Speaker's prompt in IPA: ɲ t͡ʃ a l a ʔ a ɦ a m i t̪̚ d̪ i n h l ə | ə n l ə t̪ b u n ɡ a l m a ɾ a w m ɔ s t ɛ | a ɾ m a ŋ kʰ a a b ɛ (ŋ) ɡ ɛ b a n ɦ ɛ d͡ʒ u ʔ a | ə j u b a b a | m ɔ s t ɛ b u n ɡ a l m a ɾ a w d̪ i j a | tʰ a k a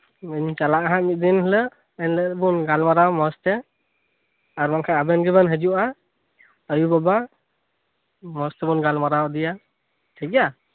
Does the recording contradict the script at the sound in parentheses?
yes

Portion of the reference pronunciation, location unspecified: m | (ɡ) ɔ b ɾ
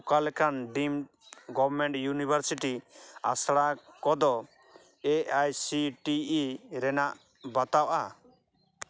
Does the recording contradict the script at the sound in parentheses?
no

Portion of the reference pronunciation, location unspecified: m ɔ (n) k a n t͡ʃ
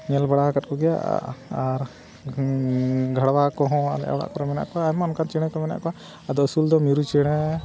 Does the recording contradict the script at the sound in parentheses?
no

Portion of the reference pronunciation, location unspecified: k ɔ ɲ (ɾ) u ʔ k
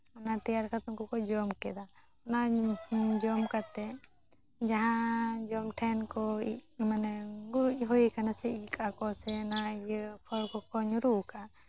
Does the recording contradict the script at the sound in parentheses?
no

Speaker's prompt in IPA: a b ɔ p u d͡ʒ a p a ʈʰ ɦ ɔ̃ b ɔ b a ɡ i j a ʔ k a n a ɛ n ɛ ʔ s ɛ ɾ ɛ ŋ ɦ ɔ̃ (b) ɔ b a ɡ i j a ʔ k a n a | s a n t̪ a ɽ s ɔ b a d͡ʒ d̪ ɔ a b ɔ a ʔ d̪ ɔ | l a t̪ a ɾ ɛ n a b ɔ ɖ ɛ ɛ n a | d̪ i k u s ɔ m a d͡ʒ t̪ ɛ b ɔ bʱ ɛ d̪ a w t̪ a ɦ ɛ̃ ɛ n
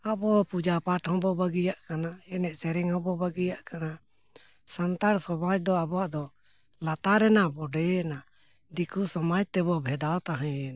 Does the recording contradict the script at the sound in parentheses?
no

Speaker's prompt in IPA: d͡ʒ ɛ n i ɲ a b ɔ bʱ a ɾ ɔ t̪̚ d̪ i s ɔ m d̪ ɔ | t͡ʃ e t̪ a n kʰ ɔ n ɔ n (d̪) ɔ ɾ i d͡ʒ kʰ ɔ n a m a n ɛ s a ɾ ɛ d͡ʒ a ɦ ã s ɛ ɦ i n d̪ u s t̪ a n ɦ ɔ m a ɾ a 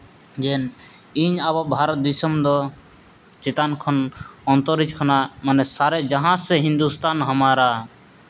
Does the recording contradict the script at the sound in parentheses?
yes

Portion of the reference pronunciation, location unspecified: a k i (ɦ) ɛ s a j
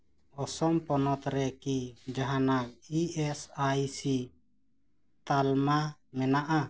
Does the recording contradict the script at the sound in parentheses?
yes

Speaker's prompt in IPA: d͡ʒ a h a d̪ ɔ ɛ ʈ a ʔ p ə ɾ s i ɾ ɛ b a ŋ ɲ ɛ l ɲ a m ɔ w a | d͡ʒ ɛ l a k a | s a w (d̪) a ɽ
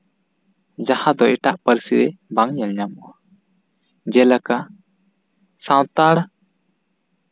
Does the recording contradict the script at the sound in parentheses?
yes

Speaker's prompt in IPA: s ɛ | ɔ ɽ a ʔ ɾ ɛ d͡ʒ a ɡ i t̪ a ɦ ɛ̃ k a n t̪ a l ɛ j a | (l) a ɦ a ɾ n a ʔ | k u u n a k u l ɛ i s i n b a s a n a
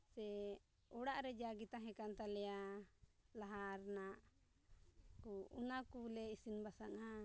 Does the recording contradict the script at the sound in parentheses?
no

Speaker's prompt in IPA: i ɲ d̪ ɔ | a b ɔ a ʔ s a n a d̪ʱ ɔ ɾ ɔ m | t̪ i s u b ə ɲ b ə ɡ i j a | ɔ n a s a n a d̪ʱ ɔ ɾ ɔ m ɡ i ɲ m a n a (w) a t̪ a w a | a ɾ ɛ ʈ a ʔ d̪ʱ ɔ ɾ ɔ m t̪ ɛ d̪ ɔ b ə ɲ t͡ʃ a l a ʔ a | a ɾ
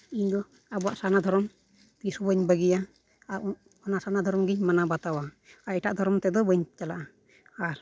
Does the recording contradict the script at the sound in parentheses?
yes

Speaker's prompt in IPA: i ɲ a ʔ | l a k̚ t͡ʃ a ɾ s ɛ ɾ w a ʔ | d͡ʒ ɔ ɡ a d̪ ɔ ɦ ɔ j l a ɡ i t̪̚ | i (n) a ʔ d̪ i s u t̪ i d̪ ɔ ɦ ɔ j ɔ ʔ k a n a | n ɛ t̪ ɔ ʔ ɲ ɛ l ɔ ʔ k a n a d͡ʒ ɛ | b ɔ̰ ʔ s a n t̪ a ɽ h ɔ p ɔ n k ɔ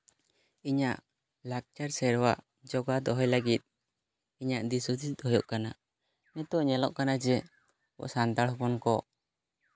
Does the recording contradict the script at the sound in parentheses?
yes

